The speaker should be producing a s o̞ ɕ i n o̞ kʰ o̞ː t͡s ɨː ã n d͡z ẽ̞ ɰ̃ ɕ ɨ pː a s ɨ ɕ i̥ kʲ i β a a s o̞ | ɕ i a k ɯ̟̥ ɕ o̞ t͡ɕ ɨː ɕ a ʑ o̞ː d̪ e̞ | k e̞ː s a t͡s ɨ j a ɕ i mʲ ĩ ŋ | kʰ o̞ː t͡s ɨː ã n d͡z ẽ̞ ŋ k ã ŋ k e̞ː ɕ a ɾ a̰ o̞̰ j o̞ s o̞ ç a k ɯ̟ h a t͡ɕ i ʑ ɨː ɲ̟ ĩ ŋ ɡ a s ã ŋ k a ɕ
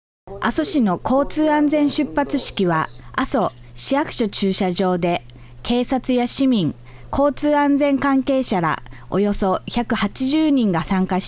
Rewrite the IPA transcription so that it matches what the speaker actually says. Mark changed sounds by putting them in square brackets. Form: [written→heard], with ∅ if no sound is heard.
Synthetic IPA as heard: a s o̞ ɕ i n o̞ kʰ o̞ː t͡s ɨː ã n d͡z ẽ̞ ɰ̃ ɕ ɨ pː a [s→t͡s] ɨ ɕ i̥ kʲ i β a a s o̞ | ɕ i a k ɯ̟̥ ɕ o̞ t͡ɕ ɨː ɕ a ʑ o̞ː d̪ e̞ | k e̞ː s a t͡s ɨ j a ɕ i mʲ ĩ ŋ | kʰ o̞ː t͡s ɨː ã n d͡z ẽ̞ ŋ k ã ŋ k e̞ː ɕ a ɾ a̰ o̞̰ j o̞ s o̞ ç a k ɯ̟ h a t͡ɕ i ʑ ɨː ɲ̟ ĩ ŋ ɡ a s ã ŋ k a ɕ